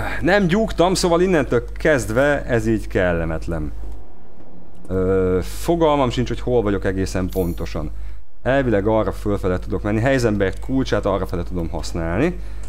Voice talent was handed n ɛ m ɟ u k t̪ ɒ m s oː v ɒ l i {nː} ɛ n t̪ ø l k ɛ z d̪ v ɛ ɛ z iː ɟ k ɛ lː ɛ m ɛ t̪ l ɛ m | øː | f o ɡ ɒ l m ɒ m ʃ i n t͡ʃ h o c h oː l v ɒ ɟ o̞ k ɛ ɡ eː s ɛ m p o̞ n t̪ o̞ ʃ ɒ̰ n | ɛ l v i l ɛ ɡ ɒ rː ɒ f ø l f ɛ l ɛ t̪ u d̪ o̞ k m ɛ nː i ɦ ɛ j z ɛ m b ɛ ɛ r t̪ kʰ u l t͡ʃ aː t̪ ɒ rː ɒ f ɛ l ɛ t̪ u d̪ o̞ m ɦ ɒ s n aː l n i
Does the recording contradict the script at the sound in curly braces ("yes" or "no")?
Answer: no